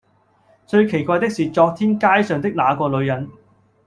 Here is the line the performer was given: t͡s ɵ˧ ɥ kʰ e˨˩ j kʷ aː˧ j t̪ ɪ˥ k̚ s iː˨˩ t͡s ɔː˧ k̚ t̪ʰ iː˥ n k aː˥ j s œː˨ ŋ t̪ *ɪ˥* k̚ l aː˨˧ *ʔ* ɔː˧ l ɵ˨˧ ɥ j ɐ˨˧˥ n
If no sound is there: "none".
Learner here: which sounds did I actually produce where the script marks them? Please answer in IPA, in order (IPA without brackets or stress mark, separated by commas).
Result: ɪ˥, k